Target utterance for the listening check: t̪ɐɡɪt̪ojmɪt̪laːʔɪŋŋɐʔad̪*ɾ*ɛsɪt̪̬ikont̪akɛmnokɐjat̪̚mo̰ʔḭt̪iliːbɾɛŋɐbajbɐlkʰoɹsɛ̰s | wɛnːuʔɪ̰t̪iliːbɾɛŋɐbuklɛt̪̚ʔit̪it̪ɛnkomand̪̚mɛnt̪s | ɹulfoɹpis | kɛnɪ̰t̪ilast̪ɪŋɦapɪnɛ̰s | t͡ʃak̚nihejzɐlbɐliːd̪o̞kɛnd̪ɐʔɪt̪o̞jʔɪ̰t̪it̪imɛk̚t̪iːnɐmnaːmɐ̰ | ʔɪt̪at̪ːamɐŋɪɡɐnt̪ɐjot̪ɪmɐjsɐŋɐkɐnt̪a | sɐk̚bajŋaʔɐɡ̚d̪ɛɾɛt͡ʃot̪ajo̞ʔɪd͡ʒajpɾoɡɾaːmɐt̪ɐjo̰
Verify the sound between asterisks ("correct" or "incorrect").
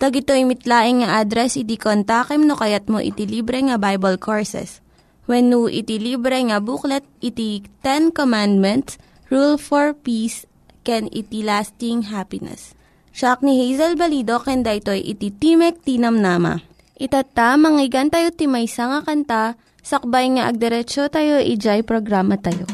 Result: correct